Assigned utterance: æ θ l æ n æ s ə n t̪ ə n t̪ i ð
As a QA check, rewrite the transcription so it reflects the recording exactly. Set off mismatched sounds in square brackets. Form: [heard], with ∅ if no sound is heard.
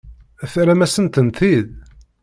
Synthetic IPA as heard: æ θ [ɾ] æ [m] æ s ə n t̪ ə n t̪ i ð